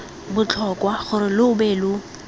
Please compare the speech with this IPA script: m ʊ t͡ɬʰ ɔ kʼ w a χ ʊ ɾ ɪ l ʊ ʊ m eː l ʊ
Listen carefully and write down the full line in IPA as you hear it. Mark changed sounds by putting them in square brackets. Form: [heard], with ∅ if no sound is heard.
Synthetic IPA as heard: [b] ʊ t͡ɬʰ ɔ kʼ w a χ ʊ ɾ ɪ l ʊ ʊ [b] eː l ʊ